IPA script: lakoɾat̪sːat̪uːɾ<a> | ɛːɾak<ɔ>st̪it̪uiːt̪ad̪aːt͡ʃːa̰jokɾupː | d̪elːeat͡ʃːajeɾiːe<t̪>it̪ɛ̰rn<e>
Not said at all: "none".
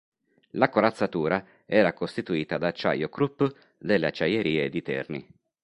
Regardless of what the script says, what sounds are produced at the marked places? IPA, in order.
a, o, d̪, i

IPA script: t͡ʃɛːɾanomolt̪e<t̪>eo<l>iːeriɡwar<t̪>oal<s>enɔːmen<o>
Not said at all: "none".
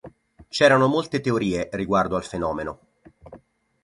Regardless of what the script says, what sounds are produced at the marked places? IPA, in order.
t̪, ɾ, d̪, f, o

